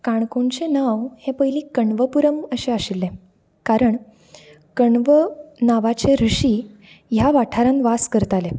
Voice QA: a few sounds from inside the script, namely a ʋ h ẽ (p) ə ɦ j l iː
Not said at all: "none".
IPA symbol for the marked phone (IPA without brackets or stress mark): p